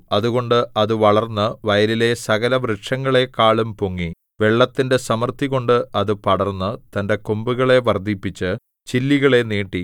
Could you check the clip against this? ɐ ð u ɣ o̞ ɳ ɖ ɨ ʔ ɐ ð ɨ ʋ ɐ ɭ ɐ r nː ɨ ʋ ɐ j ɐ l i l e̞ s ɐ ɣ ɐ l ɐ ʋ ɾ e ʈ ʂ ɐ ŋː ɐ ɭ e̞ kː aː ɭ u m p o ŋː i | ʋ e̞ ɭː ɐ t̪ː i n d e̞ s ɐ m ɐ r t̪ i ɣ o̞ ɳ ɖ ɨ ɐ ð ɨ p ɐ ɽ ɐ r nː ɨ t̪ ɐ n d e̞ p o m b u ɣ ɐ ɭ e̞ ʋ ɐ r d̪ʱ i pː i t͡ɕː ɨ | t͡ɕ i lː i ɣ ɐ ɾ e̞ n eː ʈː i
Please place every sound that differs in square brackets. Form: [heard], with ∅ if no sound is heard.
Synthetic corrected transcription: ɐ ð u ɣ o̞ ɳ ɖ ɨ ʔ ɐ ð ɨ ʋ ɐ ɭ ɐ r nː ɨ ʋ ɐ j ɐ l i l e̞ s ɐ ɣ ɐ l ɐ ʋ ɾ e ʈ ʂ ɐ ŋː ɐ ɭ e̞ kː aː ɭ u m p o ŋː i | ʋ e̞ ɭː ɐ t̪ː i n d e̞ s ɐ m ɐ r t̪ i ɣ o̞ ɳ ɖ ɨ ɐ ð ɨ p ɐ ɽ ɐ r nː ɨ t̪ ɐ n d e̞ [k] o m b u ɣ ɐ ɭ e̞ ʋ ɐ r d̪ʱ i pː i t͡ɕː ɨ | t͡ɕ i lː i ɣ ɐ [ɭ] e̞ n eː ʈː i

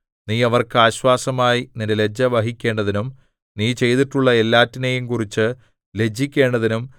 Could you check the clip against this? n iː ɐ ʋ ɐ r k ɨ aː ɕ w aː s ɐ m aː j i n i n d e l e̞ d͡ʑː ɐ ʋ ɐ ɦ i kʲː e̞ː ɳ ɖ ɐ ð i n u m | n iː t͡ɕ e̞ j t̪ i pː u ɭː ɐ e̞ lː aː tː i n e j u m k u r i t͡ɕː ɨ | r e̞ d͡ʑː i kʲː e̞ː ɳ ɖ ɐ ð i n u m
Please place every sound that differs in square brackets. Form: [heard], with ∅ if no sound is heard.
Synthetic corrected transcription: n iː ɐ ʋ ɐ r k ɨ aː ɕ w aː s ɐ m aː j i n i n d e l e̞ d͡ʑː ɐ ʋ ɐ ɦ i kʲː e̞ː ɳ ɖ ɐ ð i n u m | n iː t͡ɕ e̞ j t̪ i [ʈː] u ɭː ɐ e̞ lː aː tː i n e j u m k u r i t͡ɕː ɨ | [l] e̞ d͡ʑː i kʲː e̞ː ɳ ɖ ɐ ð i n u m

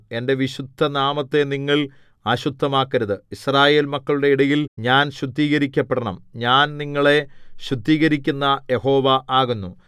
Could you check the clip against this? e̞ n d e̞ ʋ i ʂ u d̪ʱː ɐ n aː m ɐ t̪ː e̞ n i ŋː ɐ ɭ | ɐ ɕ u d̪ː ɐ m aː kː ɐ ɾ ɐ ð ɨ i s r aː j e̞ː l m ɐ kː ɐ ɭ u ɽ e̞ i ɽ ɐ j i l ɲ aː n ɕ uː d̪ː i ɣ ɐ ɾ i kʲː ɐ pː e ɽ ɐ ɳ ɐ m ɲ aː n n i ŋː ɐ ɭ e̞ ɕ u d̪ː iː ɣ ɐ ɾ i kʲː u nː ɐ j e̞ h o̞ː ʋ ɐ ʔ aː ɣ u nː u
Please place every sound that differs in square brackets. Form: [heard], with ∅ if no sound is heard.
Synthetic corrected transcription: e̞ n d e̞ ʋ i [ɕ] u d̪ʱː ɐ n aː m ɐ t̪ː e̞ n i ŋː ɐ ɭ | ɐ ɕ u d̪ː ɐ m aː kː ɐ ɾ ɐ ð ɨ i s r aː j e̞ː l m ɐ kː ɐ ɭ u ɽ e̞ i ɽ ɐ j i l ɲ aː n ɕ [u] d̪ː [iː] ɣ ɐ ɾ i kʲː ɐ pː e ɽ ɐ ɳ ɐ m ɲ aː n n i ŋː ɐ ɭ e̞ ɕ u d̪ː iː ɣ ɐ ɾ i kʲː u nː ɐ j e̞ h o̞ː ʋ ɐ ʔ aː ɣ u nː u

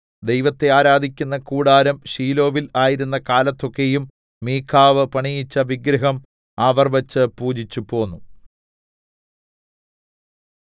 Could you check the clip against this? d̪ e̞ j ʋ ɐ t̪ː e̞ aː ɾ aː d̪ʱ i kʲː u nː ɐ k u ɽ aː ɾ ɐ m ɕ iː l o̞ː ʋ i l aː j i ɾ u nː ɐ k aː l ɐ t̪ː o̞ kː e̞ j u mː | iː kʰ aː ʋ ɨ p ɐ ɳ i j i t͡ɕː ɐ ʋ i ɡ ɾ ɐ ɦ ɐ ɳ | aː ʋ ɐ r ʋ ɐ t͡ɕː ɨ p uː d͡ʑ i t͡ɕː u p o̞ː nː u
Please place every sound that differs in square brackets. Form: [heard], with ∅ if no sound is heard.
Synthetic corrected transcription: d̪ e̞ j ʋ ɐ t̪ː e̞ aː ɾ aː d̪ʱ i kʲː u nː ɐ k [uː] ɽ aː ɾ ɐ m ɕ iː l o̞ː ʋ i l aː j i ɾ u nː ɐ k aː l ɐ t̪ː o̞ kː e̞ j u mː | iː kʰ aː ʋ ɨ p ɐ ɳ i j i t͡ɕː ɐ ʋ i ɡ ɾ ɐ ɦ ɐ [m] | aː ʋ ɐ r ʋ ɐ t͡ɕː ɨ p uː d͡ʑ i t͡ɕː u p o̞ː nː u

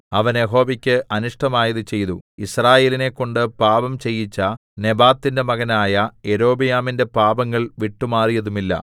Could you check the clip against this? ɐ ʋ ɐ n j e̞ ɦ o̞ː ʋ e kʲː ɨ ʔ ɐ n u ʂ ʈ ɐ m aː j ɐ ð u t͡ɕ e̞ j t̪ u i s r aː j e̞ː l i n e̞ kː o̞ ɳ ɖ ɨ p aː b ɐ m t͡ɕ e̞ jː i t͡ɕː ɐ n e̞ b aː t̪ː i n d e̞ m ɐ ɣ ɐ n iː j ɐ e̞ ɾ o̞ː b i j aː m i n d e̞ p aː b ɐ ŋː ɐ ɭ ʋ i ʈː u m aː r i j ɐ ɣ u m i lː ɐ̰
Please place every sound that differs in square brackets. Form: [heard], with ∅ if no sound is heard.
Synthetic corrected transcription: ɐ ʋ ɐ n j e̞ ɦ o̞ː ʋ [i] kʲː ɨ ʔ ɐ n u ʂ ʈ ɐ m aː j ɐ ð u t͡ɕ e̞ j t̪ u i s r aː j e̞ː l i n e̞ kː o̞ ɳ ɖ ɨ p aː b ɐ m t͡ɕ e̞ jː i t͡ɕː ɐ n e̞ b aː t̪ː i n d e̞ m ɐ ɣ ɐ n [aː] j ɐ e̞ ɾ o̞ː b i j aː m i n d e̞ p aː b ɐ ŋː ɐ ɭ ʋ i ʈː u m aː r i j ɐ [ð] u m i lː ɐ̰

